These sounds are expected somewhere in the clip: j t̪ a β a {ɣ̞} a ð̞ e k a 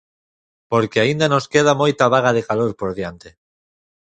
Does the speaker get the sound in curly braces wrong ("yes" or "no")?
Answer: no